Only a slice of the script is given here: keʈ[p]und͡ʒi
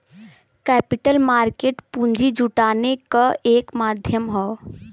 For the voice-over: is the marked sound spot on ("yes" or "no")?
yes